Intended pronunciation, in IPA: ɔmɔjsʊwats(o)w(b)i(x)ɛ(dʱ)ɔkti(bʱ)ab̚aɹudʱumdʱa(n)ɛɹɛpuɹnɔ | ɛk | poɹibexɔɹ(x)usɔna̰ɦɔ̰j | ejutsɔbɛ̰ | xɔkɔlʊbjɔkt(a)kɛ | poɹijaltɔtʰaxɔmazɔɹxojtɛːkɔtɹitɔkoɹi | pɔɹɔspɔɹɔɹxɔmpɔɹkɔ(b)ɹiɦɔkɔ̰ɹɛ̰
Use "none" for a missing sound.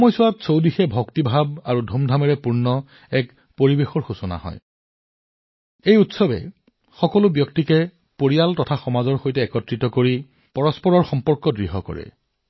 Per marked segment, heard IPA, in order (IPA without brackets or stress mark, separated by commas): o, d, x, bʱ, bʱ, m, x, i, d